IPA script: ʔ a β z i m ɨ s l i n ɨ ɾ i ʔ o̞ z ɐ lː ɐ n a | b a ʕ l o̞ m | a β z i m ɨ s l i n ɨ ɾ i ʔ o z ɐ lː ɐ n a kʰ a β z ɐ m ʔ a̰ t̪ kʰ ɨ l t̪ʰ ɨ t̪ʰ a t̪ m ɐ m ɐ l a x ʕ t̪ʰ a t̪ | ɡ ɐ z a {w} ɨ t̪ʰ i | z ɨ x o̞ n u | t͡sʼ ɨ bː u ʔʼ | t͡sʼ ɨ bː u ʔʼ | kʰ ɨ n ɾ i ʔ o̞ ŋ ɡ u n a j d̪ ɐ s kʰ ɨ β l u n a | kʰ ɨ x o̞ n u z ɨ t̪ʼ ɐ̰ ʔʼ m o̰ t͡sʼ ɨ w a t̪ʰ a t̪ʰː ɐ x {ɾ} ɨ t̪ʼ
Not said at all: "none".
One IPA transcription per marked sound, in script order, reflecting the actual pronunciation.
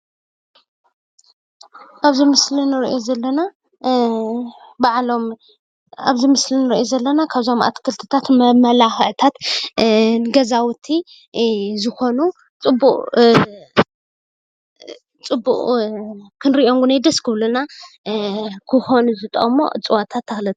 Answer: w, l

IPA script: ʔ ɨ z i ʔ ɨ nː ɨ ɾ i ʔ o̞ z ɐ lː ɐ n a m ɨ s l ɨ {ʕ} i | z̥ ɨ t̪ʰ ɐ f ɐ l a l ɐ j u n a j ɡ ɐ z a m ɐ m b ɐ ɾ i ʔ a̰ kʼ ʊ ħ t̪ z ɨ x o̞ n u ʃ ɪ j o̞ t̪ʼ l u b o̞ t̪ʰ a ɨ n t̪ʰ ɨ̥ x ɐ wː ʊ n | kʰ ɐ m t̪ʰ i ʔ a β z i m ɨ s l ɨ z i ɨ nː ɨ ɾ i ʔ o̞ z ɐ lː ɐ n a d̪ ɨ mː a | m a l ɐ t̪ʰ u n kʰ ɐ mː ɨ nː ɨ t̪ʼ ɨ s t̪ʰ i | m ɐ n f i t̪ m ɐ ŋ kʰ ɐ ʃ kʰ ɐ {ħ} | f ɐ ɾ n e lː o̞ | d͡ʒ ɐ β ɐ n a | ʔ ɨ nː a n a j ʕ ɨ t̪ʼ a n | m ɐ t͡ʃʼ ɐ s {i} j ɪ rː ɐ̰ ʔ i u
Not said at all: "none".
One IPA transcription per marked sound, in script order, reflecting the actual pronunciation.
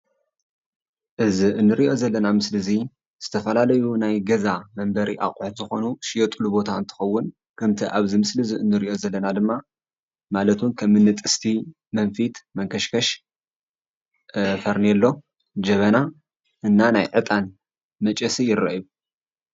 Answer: z, ʃ, i

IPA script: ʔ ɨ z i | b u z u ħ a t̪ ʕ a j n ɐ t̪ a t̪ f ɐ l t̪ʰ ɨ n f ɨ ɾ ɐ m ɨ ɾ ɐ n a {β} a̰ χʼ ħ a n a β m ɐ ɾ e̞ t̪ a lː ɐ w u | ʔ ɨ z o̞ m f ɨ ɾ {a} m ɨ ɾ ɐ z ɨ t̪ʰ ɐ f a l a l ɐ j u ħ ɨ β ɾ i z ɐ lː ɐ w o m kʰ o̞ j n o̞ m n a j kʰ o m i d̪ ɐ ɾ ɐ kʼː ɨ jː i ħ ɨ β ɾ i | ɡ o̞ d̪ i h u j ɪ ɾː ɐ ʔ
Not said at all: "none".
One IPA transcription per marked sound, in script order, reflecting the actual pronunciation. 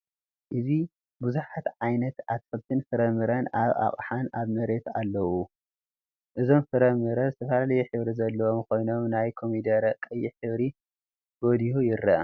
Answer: β, ɐ

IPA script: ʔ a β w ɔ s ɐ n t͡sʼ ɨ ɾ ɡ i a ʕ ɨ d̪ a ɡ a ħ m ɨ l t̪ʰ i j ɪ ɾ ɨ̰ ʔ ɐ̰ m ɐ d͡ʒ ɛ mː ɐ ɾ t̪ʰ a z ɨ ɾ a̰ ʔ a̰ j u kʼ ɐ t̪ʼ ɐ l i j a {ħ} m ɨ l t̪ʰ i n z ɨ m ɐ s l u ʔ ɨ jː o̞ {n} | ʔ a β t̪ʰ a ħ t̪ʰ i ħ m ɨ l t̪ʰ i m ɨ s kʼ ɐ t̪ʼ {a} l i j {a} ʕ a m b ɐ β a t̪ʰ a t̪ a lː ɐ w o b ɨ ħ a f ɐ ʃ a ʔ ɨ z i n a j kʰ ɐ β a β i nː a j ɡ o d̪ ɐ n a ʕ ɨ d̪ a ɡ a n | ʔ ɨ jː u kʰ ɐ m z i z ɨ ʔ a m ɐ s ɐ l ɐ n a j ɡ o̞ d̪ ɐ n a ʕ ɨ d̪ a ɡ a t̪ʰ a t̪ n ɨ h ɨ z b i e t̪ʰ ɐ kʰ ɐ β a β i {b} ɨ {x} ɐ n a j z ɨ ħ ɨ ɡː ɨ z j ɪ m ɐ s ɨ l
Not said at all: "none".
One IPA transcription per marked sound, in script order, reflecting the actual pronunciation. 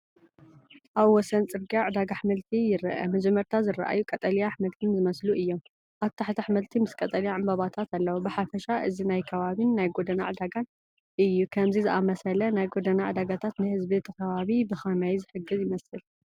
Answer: ħ, m, ɐ, a, b, x

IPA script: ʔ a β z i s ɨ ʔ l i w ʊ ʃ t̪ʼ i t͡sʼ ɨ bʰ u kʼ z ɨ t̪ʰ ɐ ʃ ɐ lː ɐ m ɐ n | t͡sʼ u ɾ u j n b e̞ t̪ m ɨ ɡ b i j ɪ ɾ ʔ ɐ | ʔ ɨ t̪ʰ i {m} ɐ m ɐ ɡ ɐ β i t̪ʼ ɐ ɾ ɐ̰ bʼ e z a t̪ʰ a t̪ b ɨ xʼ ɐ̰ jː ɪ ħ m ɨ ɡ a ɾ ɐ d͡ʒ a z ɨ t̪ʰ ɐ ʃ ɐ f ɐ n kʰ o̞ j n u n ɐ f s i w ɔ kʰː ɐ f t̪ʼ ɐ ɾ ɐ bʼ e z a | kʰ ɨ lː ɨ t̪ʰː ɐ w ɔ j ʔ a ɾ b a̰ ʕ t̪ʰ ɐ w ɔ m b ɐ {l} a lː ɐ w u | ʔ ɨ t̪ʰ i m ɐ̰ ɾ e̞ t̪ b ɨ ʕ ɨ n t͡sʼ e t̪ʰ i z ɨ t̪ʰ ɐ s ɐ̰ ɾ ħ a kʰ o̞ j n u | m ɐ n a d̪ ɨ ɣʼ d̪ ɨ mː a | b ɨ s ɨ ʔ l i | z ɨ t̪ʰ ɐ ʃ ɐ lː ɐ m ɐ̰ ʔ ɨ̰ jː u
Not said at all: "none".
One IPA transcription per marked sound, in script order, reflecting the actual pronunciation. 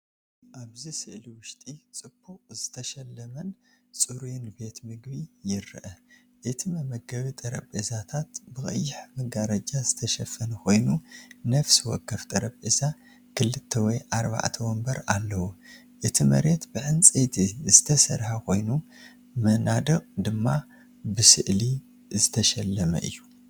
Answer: m, ɾ

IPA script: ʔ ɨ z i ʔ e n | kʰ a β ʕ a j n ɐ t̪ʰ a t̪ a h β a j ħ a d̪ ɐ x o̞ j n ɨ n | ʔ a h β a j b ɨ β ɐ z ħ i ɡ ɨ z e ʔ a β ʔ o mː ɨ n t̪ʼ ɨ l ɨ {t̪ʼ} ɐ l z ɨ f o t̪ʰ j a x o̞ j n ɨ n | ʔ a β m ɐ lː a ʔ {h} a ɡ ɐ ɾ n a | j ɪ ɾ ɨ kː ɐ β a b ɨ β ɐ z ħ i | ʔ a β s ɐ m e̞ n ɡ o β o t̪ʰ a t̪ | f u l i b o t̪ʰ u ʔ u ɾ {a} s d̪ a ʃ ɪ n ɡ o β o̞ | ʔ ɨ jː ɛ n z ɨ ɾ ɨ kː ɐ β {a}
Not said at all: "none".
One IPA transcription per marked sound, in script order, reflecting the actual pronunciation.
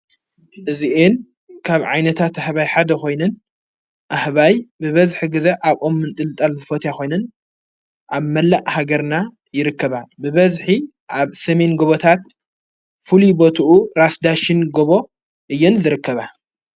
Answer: t̪ʼ, h, a, a

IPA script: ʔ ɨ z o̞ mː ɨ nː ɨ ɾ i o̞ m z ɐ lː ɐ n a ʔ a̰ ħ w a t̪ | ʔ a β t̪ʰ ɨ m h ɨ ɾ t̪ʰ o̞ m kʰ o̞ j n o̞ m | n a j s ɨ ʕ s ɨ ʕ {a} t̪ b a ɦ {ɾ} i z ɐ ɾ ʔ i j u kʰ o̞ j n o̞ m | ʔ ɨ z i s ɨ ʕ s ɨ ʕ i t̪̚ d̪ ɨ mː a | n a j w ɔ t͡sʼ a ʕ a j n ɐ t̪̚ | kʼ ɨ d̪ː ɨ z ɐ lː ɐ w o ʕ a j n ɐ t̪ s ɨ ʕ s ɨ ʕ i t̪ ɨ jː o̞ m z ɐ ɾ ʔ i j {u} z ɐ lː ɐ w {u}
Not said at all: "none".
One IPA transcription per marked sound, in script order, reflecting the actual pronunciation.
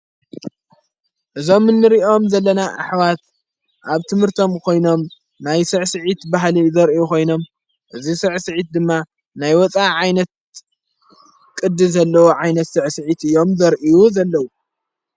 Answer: i, l, u, u

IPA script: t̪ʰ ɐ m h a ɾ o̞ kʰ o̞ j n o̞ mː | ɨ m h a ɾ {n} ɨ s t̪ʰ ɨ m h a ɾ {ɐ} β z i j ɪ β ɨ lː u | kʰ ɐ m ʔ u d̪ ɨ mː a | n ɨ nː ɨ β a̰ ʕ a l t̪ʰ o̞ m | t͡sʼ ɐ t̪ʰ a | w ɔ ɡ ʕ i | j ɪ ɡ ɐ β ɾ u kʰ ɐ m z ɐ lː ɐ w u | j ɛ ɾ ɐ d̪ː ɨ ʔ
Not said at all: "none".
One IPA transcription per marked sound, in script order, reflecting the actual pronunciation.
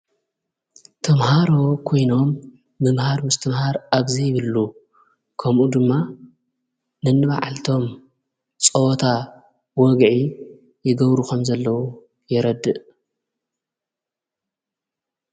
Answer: m, a

